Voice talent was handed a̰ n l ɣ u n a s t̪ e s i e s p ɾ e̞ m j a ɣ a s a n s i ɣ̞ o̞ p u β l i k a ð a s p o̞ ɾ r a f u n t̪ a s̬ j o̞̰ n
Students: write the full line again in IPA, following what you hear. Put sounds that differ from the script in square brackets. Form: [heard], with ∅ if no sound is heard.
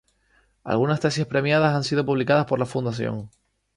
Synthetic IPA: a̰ [∅] l ɣ u n a s t̪ e s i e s p ɾ e̞ m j a [ð] a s a n s i [ð̞] o̞ p u β l i k a ð a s p o̞ ɾ [l] a f u n [d̪] a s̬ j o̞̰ [ŋ]